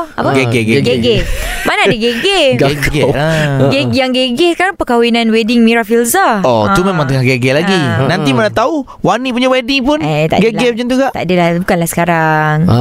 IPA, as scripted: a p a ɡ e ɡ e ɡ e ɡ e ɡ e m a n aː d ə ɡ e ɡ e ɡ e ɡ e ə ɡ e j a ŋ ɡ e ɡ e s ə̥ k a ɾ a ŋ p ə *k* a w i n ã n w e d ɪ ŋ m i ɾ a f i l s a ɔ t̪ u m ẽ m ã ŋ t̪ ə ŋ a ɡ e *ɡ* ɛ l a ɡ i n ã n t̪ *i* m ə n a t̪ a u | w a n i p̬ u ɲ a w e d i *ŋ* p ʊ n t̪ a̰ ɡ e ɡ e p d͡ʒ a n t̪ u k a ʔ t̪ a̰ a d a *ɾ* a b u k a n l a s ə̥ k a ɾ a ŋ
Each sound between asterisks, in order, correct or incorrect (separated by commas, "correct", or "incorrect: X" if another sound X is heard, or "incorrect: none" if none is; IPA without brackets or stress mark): correct, correct, correct, correct, incorrect: l